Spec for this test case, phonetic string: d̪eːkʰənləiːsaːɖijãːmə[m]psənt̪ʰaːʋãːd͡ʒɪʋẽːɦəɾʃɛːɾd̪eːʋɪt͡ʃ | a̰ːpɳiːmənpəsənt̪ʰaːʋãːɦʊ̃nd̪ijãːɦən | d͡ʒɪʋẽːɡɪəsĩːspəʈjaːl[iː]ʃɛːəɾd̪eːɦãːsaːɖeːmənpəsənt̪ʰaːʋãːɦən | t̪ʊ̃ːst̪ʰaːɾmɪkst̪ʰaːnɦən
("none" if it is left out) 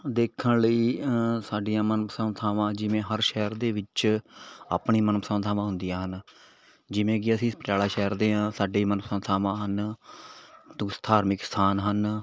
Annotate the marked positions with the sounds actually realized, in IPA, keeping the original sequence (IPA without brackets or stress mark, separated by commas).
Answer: n, aː